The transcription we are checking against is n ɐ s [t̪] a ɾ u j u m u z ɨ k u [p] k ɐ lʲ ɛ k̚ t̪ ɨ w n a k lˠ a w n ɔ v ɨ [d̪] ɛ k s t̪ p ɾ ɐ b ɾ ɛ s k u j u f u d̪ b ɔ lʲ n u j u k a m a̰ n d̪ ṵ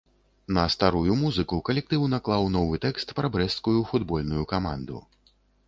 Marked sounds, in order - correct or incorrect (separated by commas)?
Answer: correct, incorrect, incorrect